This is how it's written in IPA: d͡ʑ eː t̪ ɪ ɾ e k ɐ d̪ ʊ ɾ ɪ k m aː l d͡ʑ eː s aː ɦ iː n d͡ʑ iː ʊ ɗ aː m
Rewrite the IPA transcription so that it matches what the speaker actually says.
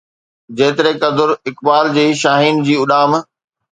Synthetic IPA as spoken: d͡ʑ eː t̪ ɪ ɾ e k ɐ d̪ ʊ ɾ ɪ k b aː l d͡ʑ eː ʃ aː ɦ iː n d͡ʑ iː ʊ ɗ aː m